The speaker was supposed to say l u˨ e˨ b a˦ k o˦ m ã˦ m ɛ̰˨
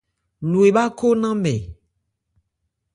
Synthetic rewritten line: l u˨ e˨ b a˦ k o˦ n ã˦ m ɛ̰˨